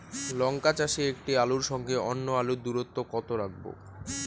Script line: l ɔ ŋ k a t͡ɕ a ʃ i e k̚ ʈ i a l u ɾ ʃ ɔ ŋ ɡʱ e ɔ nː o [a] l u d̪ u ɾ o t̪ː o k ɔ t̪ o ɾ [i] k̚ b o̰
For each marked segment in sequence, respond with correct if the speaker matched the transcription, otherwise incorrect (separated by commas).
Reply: correct, incorrect